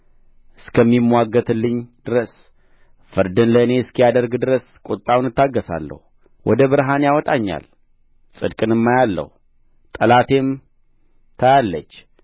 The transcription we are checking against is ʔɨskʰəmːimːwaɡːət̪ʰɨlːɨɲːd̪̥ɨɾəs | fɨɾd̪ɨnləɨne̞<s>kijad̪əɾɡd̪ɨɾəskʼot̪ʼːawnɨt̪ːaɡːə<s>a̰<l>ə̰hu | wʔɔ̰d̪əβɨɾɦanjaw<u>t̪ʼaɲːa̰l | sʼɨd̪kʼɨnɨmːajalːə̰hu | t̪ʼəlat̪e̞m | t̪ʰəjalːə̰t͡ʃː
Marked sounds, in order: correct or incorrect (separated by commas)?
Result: correct, correct, incorrect, incorrect